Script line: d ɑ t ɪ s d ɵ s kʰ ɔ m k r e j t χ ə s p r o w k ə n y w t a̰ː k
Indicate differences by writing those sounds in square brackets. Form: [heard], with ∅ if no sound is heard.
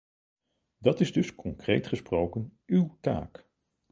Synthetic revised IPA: d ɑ t ɪ [z] d ɵ s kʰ ɔ [ŋ] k r e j t χ ə s p r o w k ə n y w t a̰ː k

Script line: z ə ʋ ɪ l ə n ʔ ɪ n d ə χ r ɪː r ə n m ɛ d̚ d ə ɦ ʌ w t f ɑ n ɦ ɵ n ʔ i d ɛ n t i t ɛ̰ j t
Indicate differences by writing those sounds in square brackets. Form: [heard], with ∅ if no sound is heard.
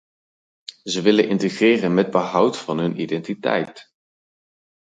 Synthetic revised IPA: z ə ʋ ɪ l ə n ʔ ɪ n [t] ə χ r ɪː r ə n m ɛ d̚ [b] ə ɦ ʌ w t f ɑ n ɦ ɵ n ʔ i d ɛ n t i t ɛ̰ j t

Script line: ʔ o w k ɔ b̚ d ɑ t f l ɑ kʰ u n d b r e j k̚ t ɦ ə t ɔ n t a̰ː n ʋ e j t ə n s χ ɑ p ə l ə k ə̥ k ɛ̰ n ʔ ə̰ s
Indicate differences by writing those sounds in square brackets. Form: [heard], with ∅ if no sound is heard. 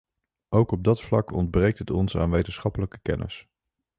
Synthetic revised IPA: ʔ o w k ɔ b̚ d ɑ t f l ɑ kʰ [ɔ] n d b r e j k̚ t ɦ ə t ɔ n [s] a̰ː n ʋ e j t ə n s χ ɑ p ə l ə k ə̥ k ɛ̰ n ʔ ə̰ s

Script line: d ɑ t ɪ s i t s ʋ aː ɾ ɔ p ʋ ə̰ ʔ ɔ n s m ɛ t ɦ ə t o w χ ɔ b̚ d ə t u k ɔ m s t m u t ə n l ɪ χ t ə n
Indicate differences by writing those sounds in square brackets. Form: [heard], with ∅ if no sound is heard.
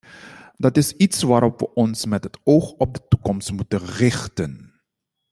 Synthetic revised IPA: d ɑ t ɪ s i t s ʋ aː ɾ ɔ p ʋ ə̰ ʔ ɔ n s m ɛ t ɦ ə t o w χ ɔ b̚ d ə t u k ɔ m s t m u t ə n [r] ɪ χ t ə n

